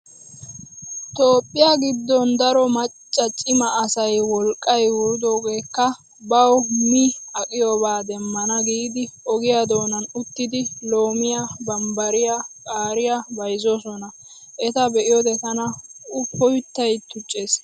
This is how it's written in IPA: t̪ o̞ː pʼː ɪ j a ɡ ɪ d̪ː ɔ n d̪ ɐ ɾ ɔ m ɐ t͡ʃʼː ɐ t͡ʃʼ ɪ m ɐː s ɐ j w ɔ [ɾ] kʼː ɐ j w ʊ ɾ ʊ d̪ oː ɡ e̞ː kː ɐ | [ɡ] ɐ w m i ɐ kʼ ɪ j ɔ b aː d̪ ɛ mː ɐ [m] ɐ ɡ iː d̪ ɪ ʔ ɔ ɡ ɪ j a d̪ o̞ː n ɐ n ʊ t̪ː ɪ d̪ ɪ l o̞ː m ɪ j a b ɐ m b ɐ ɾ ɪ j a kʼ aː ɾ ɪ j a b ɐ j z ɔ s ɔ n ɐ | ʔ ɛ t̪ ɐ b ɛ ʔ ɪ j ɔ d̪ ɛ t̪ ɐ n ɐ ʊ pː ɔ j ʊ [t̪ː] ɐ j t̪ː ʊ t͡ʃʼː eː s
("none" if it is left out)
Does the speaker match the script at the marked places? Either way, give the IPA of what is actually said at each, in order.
l, b, n, t̪ː

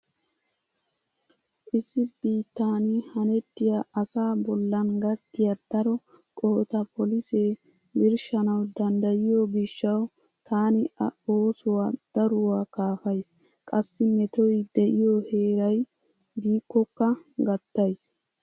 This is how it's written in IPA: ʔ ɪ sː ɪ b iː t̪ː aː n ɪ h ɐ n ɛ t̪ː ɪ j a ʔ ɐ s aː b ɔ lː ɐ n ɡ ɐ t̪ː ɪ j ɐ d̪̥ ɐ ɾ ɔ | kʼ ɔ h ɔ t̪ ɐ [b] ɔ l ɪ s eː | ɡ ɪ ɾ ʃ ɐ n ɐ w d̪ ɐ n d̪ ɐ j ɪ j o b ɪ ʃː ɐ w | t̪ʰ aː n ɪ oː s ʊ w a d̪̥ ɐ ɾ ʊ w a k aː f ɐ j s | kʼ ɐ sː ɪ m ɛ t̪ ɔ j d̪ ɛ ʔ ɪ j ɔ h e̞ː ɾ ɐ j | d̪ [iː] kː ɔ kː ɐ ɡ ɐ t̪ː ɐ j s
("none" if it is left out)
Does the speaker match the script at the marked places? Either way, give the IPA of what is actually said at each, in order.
p, iː

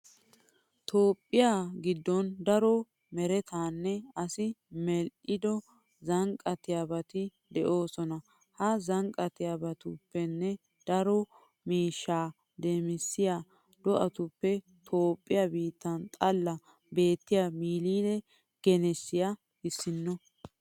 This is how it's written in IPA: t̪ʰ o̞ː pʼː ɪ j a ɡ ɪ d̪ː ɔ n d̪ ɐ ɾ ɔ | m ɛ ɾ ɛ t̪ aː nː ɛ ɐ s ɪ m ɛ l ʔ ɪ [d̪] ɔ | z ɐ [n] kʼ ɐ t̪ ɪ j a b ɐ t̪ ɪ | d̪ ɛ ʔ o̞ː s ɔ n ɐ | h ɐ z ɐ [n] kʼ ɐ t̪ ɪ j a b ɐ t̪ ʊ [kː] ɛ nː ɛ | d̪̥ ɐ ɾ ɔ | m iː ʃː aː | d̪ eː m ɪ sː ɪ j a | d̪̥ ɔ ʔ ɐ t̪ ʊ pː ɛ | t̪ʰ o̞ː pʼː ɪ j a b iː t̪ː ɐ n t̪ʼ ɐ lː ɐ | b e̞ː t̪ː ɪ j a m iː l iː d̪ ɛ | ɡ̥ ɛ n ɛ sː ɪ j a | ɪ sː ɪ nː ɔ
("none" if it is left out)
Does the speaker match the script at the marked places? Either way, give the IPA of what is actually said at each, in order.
d̪, ŋ, ŋ, pː

